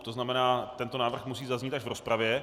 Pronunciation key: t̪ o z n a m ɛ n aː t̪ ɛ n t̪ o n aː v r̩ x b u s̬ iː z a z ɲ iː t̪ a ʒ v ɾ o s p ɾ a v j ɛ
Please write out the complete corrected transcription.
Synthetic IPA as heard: t̪ o z n a m ɛ n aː t̪ ɛ n t̪ o n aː v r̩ x m u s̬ iː z a z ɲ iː t̪ a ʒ v ɾ o s p ɾ a v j ɛ